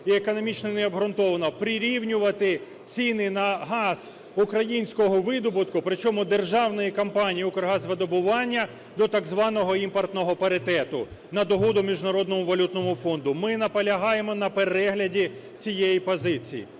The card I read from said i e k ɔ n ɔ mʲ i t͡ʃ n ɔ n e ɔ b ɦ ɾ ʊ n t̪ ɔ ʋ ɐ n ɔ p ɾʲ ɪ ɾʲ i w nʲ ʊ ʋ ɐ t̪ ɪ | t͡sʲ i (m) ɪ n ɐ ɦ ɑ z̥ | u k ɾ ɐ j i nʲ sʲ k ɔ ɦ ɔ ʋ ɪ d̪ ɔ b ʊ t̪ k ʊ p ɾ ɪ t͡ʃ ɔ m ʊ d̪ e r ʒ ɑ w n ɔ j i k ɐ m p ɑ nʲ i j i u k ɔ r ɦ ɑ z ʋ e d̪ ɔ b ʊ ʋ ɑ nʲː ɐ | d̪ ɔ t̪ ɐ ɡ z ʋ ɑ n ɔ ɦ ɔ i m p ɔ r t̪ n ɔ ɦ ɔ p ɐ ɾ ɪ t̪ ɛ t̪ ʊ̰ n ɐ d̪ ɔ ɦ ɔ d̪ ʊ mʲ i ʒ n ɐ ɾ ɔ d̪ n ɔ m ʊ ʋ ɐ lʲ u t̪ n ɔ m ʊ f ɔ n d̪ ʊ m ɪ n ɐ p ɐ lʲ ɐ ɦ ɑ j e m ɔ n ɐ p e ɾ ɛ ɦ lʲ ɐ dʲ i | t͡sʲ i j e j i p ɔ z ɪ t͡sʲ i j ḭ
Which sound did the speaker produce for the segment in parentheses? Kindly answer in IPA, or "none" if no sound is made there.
n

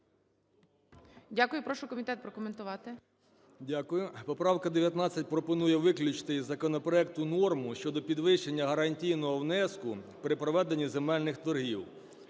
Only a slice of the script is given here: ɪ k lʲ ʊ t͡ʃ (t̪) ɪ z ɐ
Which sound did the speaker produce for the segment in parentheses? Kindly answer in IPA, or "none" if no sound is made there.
t̪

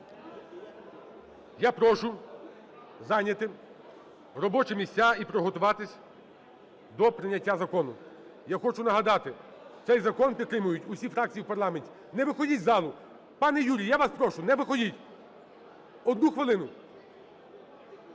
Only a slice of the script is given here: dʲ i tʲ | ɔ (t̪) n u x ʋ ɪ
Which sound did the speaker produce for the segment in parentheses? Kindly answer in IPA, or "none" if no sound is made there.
d̪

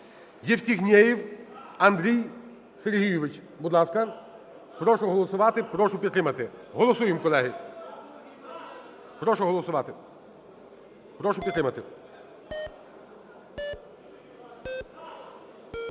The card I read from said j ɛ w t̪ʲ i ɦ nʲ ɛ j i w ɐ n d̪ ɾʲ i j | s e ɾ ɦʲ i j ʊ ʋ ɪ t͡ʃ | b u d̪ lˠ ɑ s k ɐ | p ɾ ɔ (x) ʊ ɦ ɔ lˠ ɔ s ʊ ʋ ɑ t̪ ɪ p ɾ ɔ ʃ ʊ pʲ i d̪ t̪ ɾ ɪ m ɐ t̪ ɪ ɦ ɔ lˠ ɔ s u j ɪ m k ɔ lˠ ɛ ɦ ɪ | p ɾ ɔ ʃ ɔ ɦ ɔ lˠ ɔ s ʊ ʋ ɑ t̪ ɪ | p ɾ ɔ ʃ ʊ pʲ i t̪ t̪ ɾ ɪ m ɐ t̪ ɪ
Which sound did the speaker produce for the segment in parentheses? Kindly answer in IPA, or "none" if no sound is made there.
ʃ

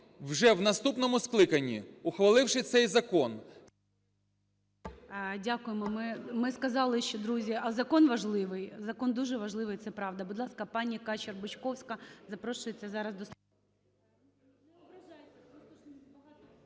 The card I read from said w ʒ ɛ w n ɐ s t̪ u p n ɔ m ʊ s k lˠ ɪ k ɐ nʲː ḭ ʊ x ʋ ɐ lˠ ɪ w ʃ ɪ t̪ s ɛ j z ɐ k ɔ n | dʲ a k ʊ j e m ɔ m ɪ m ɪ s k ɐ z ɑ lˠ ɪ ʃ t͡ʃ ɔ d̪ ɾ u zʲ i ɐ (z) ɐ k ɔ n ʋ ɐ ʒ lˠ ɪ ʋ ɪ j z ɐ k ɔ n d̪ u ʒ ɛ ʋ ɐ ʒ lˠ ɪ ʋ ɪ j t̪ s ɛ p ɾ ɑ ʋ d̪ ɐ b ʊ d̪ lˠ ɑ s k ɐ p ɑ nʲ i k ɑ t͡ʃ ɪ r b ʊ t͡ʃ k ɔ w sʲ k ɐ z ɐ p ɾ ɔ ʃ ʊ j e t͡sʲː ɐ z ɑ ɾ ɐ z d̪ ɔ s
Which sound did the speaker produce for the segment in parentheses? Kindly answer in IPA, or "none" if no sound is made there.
z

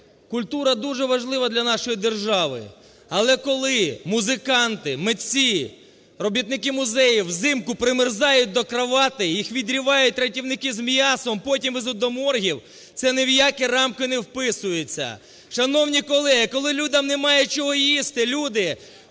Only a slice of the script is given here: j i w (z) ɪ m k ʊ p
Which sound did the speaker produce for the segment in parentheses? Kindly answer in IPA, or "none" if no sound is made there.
z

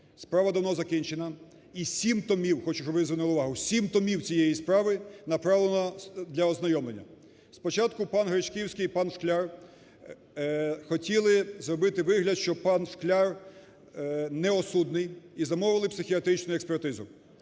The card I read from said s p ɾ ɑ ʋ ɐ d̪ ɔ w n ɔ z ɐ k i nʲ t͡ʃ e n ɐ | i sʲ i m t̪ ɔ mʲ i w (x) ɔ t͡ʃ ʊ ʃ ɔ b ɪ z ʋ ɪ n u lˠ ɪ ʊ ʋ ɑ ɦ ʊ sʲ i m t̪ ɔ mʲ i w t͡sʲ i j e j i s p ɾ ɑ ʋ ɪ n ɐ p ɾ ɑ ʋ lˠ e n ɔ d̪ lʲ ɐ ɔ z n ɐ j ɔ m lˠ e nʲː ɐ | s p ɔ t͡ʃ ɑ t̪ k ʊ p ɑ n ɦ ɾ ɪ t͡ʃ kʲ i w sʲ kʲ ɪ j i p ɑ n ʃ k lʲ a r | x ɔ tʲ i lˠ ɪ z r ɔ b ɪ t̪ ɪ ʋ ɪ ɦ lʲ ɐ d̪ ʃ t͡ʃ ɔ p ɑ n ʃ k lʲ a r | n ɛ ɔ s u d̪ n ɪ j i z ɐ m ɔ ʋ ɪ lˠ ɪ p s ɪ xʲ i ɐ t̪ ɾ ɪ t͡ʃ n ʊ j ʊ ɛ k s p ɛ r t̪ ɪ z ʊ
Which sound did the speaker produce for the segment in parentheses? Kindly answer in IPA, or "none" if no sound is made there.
x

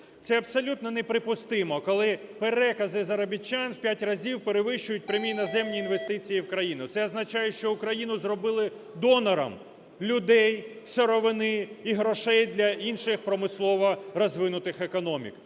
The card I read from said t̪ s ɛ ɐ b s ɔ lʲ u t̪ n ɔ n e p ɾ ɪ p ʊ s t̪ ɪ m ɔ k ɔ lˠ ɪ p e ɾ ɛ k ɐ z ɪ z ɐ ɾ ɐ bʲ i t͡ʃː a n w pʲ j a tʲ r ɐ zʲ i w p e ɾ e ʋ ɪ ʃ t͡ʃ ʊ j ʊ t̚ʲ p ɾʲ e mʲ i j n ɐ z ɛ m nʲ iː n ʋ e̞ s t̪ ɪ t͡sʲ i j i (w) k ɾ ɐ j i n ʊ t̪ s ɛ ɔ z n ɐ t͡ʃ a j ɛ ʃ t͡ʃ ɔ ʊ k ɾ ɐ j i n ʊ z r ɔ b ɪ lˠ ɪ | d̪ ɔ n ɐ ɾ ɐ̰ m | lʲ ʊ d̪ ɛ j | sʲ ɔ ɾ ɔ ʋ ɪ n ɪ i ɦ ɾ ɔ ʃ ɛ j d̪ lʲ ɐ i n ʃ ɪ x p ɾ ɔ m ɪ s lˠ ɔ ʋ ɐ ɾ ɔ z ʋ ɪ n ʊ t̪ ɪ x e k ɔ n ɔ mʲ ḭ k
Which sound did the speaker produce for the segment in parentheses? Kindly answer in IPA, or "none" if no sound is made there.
w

